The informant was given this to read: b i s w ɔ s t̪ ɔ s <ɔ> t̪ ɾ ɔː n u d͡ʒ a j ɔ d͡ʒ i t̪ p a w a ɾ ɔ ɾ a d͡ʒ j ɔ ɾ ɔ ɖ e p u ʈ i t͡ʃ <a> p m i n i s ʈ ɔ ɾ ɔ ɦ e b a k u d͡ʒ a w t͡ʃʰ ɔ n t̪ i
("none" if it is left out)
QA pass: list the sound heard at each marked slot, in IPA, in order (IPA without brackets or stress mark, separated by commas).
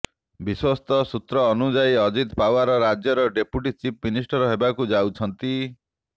u, i